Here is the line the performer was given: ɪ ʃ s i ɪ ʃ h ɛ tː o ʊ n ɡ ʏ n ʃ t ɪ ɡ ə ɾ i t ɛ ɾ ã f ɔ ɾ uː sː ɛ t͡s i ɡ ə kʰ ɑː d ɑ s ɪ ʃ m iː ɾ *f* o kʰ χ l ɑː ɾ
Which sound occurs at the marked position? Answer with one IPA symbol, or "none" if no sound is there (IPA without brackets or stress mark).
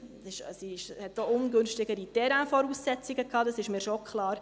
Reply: ʃ